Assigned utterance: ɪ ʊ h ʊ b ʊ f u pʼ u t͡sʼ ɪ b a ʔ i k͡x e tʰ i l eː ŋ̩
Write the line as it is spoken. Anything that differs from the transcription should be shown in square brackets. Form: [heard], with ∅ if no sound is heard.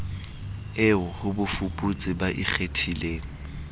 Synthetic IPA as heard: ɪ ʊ h ʊ b ʊ f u pʼ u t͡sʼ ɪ b a ʔ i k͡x e tʰ i l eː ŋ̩